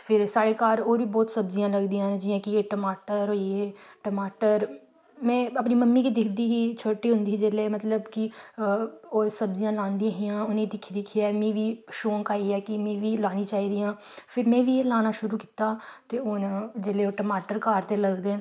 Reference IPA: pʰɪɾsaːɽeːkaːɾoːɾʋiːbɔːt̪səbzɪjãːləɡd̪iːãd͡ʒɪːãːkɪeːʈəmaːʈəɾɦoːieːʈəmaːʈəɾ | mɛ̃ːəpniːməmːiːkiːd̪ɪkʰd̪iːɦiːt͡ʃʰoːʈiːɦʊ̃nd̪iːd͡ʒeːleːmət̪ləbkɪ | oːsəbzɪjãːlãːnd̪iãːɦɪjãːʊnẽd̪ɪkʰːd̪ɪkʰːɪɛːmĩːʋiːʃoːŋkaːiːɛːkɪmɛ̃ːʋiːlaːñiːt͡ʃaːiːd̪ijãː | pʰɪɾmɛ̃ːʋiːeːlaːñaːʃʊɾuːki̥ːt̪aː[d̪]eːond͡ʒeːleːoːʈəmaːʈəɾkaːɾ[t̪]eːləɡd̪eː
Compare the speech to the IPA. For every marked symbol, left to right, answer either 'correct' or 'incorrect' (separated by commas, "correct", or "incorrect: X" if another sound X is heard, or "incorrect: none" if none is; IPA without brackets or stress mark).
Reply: incorrect: t̪, correct